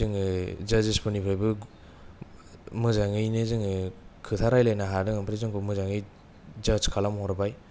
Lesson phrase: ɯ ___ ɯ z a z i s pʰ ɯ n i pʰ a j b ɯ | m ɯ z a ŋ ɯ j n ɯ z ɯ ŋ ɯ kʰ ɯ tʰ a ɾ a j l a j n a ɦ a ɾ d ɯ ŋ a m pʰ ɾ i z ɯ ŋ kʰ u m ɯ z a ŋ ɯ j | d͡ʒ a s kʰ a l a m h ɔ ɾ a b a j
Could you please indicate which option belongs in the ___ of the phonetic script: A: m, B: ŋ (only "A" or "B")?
B